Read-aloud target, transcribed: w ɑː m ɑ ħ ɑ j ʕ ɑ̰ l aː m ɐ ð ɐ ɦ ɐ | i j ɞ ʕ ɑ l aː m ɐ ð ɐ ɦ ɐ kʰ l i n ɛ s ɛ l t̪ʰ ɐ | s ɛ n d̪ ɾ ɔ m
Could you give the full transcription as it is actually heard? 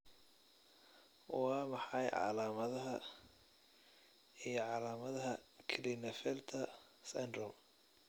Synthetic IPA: w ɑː m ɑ ħ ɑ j ʕ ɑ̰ l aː m ɐ ð ɐ ɦ ɐ | i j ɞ ʕ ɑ l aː m ɐ ð ɐ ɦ ɐ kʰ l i n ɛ f ɛ l t̪ʰ ɐ | s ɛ n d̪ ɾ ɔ m